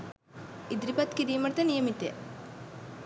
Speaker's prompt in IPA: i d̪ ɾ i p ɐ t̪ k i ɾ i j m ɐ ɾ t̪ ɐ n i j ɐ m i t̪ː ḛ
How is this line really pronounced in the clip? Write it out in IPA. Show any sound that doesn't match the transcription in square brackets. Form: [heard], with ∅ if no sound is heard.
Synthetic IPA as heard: i d̪ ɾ i p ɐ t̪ k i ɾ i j m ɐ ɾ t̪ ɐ n i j ɐ m i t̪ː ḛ

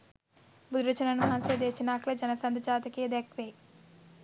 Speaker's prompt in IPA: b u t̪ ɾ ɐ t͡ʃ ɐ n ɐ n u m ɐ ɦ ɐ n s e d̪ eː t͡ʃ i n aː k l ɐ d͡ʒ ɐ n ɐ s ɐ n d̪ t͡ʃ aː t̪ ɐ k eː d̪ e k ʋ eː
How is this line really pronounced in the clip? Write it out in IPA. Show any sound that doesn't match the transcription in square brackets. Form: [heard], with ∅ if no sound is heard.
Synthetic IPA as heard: b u [d̪] ɾ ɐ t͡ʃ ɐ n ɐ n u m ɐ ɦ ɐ n s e d̪ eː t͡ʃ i n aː k l ɐ d͡ʒ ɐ n ɐ s ɐ n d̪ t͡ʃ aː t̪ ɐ k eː d̪ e k ʋ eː

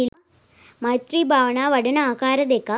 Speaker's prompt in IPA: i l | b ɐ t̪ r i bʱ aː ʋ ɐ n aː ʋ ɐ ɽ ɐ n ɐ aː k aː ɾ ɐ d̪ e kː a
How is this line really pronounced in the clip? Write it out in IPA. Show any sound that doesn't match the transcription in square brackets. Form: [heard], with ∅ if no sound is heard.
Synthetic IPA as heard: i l | [m] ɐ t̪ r i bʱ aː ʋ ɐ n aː ʋ ɐ ɽ ɐ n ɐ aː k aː ɾ ɐ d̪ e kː a

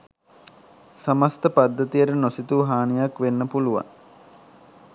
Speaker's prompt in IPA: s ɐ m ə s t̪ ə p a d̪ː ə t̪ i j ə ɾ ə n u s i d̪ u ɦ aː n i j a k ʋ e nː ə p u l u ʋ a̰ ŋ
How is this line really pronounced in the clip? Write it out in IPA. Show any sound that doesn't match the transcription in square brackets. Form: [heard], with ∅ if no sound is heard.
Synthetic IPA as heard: s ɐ m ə s t̪ ə p a d̪ː ə t̪ i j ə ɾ ə n [o] s i [t̪] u ɦ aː n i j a k ʋ e nː ə p u l u ʋ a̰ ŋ

